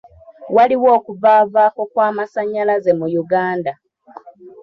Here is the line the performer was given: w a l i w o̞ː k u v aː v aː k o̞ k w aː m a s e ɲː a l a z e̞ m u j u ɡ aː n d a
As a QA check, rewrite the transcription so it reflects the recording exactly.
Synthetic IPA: w a l i w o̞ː k u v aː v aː k o̞ k w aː m a s a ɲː a l a z e̞ m u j u ɡ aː n d a